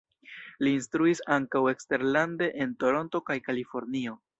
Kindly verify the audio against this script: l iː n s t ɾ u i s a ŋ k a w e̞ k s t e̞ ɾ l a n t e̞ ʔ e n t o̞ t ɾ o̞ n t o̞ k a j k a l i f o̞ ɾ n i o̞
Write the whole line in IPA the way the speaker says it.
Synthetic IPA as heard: l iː n s t ɾ u i s a ŋ k a w e̞ k s t e̞ ɾ l a n d e̞ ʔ e n t o̞ ɾ o̞ n t o̞ k a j k a l i f o̞ ɾ n i o̞

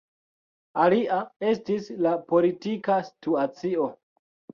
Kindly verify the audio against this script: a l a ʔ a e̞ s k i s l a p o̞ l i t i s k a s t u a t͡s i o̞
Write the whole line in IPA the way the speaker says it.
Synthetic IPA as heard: a l i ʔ a e̞ s t i s l a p o̞ l i t i k a s t u a t͡s i o̞

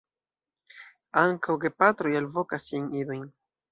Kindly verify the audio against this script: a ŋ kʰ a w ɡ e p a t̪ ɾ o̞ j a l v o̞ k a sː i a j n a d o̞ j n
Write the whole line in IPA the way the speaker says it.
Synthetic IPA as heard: a ŋ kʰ a w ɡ e p a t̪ ɾ o̞ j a l v o̞ k a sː i a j n i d o̞ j n

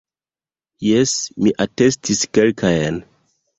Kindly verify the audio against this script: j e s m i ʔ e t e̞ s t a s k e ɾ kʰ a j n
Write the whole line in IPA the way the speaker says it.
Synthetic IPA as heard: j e s m i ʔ a t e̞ s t i s k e l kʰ a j n

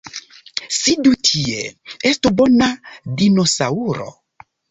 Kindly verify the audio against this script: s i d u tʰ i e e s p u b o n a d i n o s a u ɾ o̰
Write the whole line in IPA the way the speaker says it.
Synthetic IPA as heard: s i d u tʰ i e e s t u b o n a d i n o s a u ɾ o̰

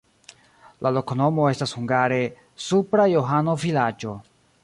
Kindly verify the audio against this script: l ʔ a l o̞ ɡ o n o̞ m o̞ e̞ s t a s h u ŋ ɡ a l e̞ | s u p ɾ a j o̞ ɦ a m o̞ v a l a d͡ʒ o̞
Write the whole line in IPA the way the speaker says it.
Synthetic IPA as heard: l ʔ a l o̞ k o n o̞ m o̞ e̞ s t a s h u ŋ ɡ a ɾ e̞ | s u p ɾ a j o̞ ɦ a n o̞ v i l a d͡ʒ o̞

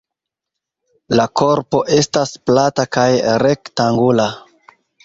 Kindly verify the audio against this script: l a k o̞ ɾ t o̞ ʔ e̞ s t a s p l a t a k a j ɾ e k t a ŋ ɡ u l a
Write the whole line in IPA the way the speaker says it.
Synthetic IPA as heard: l a k o̞ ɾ p o̞ ʔ e̞ s t a s p l a t a k a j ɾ e k t a ŋ ɡ u l a

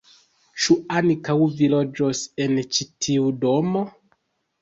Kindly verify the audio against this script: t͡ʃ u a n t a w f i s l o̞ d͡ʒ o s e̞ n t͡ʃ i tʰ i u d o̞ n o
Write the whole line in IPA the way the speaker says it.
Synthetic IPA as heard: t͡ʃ u a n k a w v i l o̞ d͡ʒ o s e̞ n t͡ʃ i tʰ i u d o̞ m o

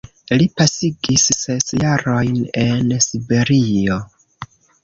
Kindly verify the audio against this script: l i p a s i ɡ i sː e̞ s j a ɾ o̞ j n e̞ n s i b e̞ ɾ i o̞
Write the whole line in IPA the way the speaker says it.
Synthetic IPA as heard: l i p a s i ɡ i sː e̞ s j a ɾ o̞ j n e̞ n s i b e̞ ɾ i o̞

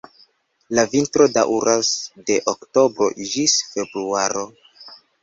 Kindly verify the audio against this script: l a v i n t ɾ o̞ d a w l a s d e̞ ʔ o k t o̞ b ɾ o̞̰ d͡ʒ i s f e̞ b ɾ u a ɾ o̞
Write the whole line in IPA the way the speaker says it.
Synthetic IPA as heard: l a v i n t ɾ o̞ d a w ɾ a s d e̞ ʔ o k t o̞ b ɾ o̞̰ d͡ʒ i s f e̞ b ɾ u a ɾ o̞

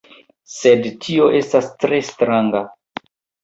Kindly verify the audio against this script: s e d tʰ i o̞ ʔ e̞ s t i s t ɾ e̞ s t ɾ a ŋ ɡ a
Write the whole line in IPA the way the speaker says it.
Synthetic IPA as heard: s e d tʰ i o̞ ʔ e̞ s t a s t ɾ e̞ s t ɾ a ŋ ɡ a

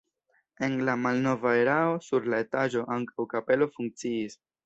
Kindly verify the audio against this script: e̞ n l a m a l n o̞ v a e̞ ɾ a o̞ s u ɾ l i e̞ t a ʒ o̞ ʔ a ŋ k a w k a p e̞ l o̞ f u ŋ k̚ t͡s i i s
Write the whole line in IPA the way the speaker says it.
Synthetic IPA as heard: e̞ n l a m a l n o̞ v a e̞ ɾ a o̞ s u ɾ l a e̞ t a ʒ o̞ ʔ a ŋ k a w k a p e̞ l o̞ f u ŋ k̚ t͡s i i s

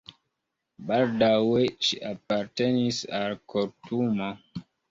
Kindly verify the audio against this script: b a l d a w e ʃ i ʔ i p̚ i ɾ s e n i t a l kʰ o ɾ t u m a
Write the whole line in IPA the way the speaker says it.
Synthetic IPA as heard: b a l d a w e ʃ i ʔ a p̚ a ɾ t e n i s a l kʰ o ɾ t u m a

